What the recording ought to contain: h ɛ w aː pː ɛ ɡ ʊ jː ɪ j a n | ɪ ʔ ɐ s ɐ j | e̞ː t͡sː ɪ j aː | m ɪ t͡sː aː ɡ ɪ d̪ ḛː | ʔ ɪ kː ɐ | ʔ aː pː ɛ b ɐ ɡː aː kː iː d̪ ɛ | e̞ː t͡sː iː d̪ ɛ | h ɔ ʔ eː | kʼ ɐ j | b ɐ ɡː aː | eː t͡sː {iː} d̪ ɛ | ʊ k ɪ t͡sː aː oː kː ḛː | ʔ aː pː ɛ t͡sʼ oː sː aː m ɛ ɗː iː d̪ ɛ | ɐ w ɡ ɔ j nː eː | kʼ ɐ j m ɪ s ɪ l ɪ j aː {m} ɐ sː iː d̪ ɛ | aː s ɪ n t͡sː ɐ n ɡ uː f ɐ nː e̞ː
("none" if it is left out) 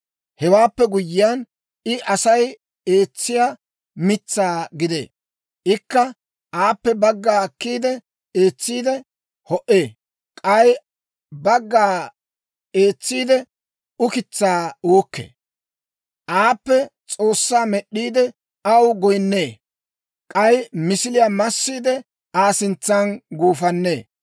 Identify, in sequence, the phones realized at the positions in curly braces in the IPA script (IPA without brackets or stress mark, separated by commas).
iː, m